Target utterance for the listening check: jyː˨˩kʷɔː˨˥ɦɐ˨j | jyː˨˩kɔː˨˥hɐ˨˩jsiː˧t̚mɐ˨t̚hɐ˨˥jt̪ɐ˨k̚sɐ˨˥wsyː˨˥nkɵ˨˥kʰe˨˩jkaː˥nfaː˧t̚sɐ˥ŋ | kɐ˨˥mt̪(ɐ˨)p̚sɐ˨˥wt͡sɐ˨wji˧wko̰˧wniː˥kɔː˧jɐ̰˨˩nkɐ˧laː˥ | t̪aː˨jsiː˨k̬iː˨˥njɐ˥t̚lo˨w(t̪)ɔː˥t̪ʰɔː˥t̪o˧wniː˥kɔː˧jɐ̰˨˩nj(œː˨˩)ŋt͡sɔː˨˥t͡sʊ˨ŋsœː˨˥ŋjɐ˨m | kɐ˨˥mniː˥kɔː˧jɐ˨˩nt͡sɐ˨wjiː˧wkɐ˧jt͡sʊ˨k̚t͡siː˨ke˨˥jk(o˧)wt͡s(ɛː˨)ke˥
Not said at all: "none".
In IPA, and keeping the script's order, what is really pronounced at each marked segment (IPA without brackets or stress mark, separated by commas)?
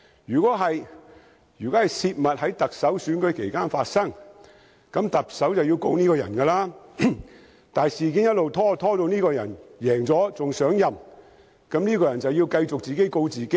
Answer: ɐ˨, t̪ʰ, ɛː˨˩, o˧, iː˨